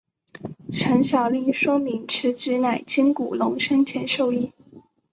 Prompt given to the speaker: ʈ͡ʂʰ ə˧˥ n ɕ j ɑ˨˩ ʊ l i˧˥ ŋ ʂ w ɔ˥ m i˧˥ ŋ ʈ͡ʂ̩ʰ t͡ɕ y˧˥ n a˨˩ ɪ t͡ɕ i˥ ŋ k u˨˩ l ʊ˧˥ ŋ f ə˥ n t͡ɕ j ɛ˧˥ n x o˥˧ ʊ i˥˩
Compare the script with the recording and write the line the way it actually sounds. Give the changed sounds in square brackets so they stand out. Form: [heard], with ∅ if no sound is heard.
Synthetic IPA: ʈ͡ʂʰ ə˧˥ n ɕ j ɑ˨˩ ʊ l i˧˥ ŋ ʂ w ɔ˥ m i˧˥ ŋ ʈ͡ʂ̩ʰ t͡ɕ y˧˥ n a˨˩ ɪ t͡ɕ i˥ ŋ k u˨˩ l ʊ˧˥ ŋ [ʂ] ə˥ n [t͡ɕʰ] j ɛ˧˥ n [ʂ] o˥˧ ʊ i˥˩

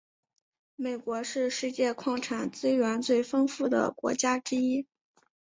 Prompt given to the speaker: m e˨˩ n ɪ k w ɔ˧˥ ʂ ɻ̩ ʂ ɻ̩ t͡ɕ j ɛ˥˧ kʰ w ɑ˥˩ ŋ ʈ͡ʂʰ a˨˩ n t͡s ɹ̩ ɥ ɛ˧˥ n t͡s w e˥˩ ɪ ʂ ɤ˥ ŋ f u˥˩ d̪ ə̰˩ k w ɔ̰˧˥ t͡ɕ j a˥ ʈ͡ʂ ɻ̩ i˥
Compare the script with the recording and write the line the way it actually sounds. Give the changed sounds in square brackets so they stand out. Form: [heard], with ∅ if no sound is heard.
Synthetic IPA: m e˨˩ [∅] ɪ k w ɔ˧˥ ʂ ɻ̩ ʂ ɻ̩ t͡ɕ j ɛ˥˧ kʰ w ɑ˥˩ ŋ ʈ͡ʂʰ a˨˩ n t͡s ɹ̩ ɥ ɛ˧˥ n t͡s w e˥˩ ɪ [f] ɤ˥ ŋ f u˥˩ d̪ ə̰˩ k w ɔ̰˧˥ t͡ɕ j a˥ ʈ͡ʂ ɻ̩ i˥

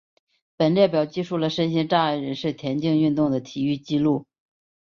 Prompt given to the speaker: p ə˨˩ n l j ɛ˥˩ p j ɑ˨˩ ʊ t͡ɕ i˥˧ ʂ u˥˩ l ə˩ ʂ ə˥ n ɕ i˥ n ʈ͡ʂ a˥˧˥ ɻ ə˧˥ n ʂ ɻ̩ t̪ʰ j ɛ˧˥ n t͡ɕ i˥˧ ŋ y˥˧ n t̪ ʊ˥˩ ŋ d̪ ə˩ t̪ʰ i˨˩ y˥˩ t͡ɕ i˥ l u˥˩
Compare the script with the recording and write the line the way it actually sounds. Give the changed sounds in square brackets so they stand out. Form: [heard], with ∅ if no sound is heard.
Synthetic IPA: p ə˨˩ n l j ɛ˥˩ p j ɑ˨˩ ʊ t͡ɕ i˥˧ ʂ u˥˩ l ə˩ ʂ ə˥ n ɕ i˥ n ʈ͡ʂ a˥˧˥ ɻ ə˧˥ n ʂ ɻ̩ t̪ʰ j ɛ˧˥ n t͡ɕ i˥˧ ŋ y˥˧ n t̪ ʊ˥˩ ŋ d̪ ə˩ t̪ʰ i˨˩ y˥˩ t͡ɕ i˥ l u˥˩

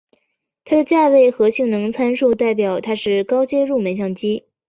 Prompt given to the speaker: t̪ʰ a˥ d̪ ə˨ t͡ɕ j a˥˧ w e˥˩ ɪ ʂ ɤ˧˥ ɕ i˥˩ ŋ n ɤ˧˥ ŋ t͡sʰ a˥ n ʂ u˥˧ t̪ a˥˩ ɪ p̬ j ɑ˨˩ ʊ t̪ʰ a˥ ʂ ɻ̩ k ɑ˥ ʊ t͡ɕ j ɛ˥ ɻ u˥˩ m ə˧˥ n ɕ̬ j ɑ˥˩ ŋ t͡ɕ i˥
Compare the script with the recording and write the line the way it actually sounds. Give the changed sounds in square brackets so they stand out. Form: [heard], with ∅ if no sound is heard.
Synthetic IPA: t̪ʰ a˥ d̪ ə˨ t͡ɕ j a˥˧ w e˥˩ ɪ [x] ɤ˧˥ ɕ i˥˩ ŋ n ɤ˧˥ ŋ t͡sʰ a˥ n ʂ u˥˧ t̪ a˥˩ ɪ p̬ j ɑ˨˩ ʊ t̪ʰ a˥ ʂ ɻ̩ k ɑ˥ ʊ t͡ɕ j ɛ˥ ɻ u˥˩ m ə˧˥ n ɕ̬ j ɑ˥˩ ŋ t͡ɕ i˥

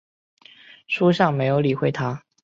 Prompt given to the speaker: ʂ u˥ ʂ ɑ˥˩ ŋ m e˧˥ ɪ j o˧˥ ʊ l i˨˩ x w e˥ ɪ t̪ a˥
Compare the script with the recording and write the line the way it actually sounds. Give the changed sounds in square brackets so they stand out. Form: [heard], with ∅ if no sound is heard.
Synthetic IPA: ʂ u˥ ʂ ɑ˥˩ ŋ m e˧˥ ɪ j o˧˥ ʊ l i˨˩ x w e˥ ɪ [t̪ʰ] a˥

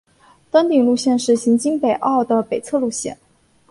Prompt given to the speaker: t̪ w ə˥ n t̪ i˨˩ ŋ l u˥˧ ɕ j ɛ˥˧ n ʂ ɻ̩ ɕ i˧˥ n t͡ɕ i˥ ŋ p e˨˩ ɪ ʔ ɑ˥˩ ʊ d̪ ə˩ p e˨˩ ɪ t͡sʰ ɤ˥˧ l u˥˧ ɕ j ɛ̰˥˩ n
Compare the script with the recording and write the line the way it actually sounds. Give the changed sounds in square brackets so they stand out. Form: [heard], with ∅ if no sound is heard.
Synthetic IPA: t̪ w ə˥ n t̪ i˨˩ ŋ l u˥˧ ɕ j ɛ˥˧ n ʂ ɻ̩ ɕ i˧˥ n t͡ɕ i˥ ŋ p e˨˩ ɪ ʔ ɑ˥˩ ʊ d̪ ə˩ p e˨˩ ɪ t͡sʰ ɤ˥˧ l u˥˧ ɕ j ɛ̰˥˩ n

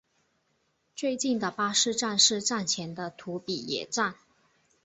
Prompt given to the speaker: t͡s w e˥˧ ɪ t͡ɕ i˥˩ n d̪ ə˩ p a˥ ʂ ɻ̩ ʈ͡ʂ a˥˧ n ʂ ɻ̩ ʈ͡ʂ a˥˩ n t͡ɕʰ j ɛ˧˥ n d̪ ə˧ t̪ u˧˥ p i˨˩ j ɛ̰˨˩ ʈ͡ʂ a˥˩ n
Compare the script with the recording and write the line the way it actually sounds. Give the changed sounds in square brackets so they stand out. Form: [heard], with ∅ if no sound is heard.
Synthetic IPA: t͡s w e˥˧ ɪ t͡ɕ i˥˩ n d̪ ə˩ p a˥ ʂ ɻ̩ ʈ͡ʂ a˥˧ n ʂ ɻ̩ ʈ͡ʂ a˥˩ n t͡ɕʰ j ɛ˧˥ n d̪ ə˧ [t̪ʰ] u˧˥ p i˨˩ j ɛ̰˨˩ ʈ͡ʂ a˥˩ n

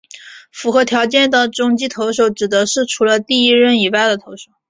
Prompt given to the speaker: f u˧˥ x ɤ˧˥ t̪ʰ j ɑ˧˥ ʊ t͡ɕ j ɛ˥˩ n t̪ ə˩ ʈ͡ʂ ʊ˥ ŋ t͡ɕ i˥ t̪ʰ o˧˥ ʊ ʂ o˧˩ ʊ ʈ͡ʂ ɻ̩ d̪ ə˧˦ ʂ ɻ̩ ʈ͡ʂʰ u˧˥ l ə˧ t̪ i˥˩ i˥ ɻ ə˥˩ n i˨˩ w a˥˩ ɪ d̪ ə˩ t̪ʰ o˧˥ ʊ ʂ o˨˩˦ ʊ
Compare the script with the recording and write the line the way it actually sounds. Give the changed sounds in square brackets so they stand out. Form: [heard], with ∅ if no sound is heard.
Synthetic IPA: f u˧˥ x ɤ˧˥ t̪ʰ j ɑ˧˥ ʊ t͡ɕ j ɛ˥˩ n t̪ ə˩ ʈ͡ʂ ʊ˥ ŋ t͡ɕ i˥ t̪ʰ o˧˥ ʊ ʂ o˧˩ ʊ ʈ͡ʂ ɻ̩ d̪ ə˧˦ ʂ ɻ̩ ʈ͡ʂʰ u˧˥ l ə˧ t̪ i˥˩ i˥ ɻ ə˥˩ n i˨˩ w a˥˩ ɪ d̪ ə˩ t̪ʰ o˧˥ ʊ ʂ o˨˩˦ ʊ

